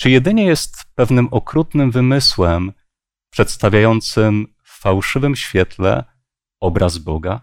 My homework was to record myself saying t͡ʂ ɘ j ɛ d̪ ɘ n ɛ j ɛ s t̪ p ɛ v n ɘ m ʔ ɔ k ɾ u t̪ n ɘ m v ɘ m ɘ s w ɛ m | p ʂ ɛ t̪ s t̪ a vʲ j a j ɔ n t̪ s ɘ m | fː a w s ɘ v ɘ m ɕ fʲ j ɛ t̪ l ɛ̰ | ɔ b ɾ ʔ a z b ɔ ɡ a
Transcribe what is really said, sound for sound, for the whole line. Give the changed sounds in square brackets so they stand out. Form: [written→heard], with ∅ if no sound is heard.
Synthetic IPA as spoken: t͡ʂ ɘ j ɛ d̪ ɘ [n→ɲ] ɛ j ɛ s t̪ p ɛ v n ɘ m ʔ ɔ k ɾ u t̪ n ɘ m v ɘ m ɘ s w ɛ m | p ʂ ɛ t̪ s t̪ a vʲ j a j ɔ n t̪ s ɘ m | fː a w [s→ʂ] ɘ v ɘ m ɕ fʲ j ɛ t̪ l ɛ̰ | ɔ b ɾ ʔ a z b ɔ ɡ a